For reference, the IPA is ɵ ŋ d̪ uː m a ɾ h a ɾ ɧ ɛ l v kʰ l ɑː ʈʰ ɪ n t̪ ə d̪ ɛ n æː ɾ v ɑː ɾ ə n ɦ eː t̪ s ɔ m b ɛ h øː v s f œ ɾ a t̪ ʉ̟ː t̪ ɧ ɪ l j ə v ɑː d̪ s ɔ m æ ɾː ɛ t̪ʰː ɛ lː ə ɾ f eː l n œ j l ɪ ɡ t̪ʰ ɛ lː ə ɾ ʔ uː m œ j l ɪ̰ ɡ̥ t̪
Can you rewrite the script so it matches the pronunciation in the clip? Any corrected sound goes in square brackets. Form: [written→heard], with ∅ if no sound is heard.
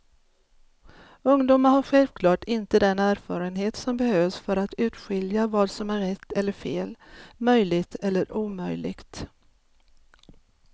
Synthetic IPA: ɵ ŋ d̪ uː m a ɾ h a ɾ ɧ ɛ l v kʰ l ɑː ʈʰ ɪ n t̪ ə d̪ ɛ n æː ɾ [v→f] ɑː ɾ ə n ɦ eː t̪ s ɔ m b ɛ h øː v s f œ ɾ a t̪ ʉ̟ː t̪ ɧ ɪ l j [ə→a] v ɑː d̪ s ɔ m æ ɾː ɛ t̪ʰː ɛ lː ə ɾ f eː l [n→m] œ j l ɪ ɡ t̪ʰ ɛ lː ə ɾ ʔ uː m œ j l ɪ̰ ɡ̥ t̪